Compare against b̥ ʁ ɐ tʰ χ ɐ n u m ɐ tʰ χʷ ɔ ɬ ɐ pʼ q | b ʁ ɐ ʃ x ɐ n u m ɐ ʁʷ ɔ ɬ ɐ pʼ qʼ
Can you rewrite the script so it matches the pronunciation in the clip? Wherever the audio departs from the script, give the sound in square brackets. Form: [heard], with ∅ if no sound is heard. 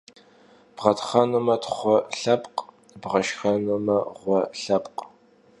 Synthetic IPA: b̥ ʁ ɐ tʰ χ ɐ n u m ɐ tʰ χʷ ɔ ɬ ɐ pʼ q | b ʁ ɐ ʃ x ɐ n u m ɐ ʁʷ ɔ ɬ ɐ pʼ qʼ